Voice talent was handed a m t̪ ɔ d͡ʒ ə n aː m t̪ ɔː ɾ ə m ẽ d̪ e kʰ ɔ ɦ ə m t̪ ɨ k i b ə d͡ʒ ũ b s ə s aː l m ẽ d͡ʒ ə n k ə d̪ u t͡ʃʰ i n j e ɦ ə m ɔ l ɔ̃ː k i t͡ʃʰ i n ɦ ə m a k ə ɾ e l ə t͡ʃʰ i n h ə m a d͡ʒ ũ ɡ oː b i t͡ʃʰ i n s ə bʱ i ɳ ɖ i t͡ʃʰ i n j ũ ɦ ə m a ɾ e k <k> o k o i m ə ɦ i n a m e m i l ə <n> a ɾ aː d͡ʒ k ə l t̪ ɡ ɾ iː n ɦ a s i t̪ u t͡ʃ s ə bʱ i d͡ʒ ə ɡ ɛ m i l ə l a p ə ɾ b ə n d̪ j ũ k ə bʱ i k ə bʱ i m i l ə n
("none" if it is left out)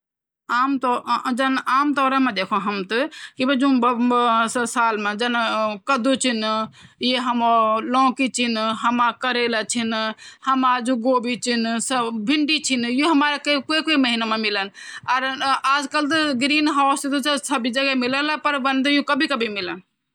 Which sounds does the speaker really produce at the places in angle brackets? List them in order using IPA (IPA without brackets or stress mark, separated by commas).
k, n